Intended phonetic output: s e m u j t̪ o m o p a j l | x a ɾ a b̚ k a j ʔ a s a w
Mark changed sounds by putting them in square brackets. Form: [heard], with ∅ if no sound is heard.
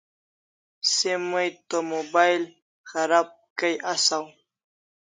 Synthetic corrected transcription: s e m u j t̪ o m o [b] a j l | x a ɾ a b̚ k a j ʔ a s a w